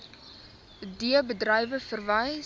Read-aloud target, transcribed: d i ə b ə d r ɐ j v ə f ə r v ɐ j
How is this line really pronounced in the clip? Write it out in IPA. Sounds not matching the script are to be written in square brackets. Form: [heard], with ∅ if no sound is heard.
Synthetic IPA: d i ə b ə d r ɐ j v ə f ə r v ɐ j